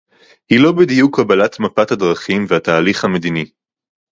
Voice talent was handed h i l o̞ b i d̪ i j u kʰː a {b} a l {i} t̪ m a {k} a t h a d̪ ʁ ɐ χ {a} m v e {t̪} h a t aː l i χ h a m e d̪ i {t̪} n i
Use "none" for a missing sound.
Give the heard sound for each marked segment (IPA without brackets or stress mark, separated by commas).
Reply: b, a, p, i, none, none